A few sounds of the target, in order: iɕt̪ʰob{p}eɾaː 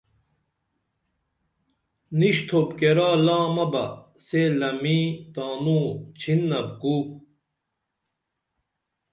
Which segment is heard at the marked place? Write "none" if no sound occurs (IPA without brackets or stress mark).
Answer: k